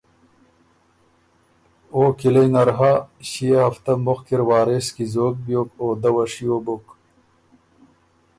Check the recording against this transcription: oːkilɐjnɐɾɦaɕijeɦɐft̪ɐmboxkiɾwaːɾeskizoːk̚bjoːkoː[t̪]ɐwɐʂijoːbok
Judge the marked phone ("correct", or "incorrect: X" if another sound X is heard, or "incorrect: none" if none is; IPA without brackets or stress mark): incorrect: d̪